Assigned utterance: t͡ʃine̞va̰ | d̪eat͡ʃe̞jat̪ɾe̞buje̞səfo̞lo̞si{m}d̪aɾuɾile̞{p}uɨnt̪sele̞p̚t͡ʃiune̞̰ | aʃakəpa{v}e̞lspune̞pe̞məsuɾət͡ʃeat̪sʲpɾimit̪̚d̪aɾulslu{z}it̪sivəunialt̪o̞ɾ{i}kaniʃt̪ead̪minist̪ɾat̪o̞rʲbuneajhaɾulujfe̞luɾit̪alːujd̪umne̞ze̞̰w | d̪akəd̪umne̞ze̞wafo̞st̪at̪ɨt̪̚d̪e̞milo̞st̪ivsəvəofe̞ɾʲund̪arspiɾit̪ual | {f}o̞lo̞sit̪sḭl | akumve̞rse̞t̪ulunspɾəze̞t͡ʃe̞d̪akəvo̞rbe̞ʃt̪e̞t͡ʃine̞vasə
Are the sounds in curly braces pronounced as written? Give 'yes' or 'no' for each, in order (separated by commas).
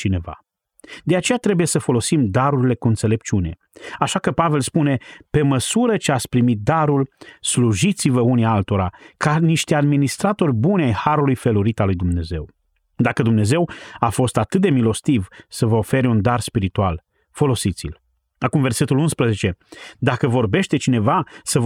yes, no, yes, no, no, yes